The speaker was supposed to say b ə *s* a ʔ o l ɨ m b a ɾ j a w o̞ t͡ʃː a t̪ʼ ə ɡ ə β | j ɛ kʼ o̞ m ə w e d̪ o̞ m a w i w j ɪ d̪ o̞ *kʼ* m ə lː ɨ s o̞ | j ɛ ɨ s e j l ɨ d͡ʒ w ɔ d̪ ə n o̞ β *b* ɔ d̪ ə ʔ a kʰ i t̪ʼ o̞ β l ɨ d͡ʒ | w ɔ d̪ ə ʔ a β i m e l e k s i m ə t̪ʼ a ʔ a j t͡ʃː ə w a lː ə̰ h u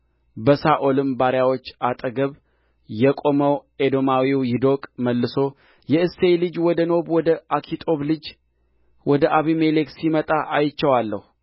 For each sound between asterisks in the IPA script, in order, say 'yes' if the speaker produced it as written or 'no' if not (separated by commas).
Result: yes, yes, no